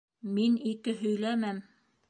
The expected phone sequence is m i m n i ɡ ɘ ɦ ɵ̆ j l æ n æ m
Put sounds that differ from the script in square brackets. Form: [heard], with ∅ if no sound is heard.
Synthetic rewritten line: m i [∅] n i [k] ɘ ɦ ɵ̆ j l æ [m] æ m